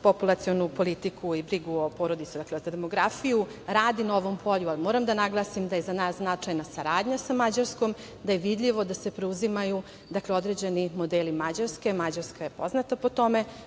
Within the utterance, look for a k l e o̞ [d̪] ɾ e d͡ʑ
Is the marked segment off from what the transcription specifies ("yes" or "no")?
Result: no